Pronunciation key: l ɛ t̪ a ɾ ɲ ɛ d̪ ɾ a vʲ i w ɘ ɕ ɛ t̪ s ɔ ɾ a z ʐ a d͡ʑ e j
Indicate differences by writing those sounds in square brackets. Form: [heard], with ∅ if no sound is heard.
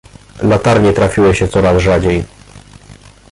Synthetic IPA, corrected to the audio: l [a] t̪ a ɾ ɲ ɛ [t̪] ɾ a [fʲ] i w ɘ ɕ ɛ t̪ s ɔ ɾ a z ʐ a d͡ʑ e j